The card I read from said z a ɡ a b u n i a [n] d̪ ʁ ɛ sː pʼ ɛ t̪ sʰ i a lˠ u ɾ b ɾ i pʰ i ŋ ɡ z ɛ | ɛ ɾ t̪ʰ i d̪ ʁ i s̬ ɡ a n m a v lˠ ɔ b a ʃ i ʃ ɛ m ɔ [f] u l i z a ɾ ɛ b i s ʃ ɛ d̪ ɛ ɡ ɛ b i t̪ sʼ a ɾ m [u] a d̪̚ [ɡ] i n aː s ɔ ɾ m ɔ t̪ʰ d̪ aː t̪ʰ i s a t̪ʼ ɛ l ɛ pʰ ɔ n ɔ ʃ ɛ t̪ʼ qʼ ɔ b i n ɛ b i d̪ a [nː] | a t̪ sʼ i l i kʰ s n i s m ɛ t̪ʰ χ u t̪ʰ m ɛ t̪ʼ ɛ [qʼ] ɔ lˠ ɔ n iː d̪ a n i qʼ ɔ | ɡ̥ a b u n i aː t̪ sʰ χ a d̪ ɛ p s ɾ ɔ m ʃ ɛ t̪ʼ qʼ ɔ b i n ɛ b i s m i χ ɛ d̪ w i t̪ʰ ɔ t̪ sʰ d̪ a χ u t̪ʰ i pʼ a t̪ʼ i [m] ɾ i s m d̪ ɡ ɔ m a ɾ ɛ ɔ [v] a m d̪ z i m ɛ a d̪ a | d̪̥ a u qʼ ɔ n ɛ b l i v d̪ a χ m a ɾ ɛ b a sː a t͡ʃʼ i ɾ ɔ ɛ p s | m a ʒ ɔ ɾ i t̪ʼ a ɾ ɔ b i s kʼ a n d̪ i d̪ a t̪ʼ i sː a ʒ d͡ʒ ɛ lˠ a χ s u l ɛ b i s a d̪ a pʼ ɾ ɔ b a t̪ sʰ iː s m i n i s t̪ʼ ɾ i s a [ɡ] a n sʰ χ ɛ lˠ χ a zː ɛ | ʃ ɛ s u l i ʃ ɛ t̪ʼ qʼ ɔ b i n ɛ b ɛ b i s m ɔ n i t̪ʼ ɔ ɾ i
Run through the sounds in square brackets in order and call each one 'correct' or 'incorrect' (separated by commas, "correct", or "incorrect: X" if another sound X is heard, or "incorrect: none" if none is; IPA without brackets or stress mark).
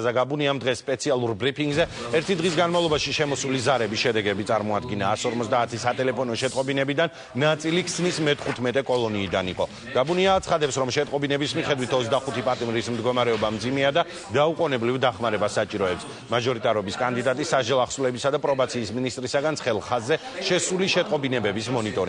incorrect: m, incorrect: s, incorrect: ɔ, correct, correct, incorrect: kʼ, correct, incorrect: b, correct